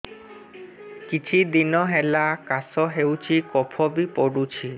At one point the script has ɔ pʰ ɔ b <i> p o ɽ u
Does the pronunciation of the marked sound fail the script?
no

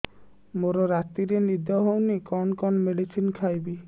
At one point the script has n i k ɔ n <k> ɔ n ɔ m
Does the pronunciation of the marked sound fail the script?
no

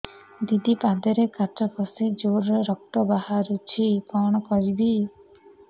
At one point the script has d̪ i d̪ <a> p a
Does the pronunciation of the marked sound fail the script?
yes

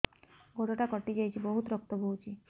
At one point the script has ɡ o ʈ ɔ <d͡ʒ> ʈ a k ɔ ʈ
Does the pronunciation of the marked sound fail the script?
yes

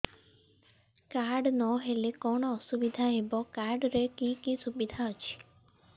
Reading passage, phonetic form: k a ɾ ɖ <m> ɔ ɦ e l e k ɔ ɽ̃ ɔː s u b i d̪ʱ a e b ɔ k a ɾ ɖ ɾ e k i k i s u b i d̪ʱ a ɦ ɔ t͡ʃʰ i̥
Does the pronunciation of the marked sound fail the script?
yes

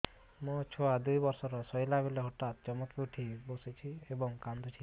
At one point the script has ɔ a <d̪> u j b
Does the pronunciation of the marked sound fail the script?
no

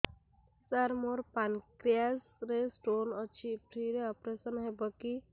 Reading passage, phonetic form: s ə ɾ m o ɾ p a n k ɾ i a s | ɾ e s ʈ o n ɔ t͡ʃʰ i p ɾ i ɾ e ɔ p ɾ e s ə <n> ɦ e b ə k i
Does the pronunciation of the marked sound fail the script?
no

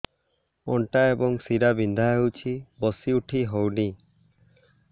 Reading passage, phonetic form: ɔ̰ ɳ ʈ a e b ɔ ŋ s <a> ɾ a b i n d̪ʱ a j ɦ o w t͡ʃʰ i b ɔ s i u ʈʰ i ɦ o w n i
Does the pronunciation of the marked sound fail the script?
yes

